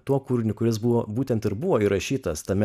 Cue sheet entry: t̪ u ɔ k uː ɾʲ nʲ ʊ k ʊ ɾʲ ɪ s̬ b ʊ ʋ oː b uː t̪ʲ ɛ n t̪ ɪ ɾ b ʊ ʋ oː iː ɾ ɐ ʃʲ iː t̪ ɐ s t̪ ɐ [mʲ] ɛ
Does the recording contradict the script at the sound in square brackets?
no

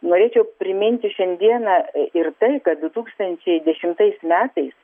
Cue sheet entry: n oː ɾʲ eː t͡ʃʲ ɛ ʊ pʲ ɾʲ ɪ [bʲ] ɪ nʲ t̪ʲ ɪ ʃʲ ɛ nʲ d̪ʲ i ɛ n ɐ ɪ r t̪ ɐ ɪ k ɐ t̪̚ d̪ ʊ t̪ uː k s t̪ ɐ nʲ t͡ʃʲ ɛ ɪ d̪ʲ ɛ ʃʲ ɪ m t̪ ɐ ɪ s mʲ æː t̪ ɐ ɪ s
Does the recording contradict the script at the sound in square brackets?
yes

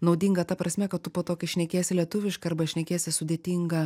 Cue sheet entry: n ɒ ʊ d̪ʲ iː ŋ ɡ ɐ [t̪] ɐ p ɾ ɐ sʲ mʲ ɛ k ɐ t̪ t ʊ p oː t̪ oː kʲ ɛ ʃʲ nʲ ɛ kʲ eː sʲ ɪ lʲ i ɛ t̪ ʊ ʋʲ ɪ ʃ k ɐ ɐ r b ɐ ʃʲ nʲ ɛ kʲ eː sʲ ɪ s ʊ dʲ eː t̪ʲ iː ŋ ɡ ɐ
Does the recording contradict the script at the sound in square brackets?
no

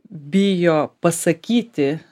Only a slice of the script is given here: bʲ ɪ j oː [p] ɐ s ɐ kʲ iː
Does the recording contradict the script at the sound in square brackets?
no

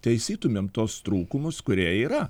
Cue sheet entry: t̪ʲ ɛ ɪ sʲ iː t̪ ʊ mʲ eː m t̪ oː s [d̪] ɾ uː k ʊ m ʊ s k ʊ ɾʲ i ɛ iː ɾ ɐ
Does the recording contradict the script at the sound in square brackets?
yes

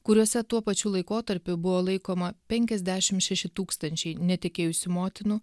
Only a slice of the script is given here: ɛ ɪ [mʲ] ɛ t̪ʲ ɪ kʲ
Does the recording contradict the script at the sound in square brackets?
yes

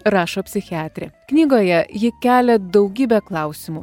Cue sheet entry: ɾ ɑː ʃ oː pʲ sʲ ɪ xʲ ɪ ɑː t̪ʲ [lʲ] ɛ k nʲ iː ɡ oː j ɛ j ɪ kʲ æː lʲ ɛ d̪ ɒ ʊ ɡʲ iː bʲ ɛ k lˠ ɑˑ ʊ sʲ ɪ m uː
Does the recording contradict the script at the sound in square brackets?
yes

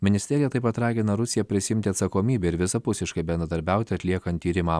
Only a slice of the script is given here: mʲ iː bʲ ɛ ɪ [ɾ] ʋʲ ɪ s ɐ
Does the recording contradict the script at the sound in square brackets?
no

